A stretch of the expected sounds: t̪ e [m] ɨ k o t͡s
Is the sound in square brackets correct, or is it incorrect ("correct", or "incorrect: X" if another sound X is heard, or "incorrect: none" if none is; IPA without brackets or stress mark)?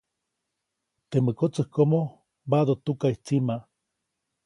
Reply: correct